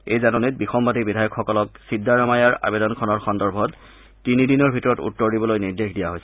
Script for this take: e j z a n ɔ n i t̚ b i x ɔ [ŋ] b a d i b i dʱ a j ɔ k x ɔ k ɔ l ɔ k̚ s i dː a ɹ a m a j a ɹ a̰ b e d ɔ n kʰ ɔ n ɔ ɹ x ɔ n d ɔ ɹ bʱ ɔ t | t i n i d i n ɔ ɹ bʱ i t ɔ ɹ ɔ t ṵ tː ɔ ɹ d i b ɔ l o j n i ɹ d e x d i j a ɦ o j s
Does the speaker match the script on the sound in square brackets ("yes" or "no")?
no